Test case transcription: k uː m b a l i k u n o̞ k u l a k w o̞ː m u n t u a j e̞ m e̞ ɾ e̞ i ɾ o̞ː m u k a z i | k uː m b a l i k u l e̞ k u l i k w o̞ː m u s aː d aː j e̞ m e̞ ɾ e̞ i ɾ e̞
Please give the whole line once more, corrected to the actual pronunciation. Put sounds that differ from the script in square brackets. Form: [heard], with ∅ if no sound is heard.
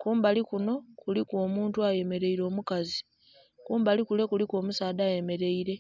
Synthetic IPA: k uː m b a l i k u n o̞ k u l [i] k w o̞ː m [uː] n t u a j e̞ m e̞ ɾ e̞ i ɾ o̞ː m u k a z i | k uː m b a l i k u l e̞ k u l i k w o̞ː m u s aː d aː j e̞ m e̞ ɾ e̞ i ɾ e̞

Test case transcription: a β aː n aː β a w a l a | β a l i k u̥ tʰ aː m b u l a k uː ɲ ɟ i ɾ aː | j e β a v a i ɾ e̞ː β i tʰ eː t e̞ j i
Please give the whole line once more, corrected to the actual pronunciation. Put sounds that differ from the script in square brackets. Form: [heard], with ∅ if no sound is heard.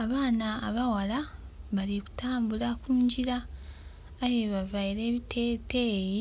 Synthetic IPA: a β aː n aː β a w a l a | β a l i k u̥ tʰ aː m b u l a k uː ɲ ɟ i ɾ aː | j e β a v a i ɾ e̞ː β i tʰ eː t e̞ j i

